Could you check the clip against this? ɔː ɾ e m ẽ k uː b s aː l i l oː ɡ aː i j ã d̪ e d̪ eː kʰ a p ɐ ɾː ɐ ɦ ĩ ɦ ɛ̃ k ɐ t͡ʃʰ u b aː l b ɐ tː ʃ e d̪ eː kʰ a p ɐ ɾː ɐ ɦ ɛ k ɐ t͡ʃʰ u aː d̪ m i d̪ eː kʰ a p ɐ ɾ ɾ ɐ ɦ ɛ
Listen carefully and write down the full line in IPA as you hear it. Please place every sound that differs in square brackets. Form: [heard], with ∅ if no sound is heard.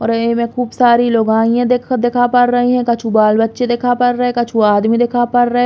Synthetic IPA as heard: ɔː ɾ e m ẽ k uː b s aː [ɾ] i l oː ɡ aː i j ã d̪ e d̪ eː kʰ a p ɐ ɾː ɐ ɦ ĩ ɦ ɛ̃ k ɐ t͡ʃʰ u b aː l b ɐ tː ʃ e d̪ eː kʰ a p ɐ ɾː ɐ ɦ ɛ k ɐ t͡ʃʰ u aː d̪ m i d̪ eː kʰ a p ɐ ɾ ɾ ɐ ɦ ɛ